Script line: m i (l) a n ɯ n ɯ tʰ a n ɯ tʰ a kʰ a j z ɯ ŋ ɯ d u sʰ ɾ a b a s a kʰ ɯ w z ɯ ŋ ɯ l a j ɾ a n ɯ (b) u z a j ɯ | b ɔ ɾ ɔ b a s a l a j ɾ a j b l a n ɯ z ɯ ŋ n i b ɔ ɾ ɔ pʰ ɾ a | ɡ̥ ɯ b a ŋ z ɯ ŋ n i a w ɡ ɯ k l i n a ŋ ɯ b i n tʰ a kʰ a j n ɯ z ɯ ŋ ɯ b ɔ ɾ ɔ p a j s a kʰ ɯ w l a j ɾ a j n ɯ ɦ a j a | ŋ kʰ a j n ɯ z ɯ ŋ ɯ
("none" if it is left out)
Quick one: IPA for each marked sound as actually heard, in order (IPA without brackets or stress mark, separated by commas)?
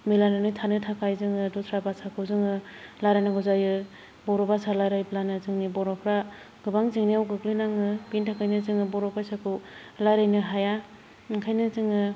l, ɡ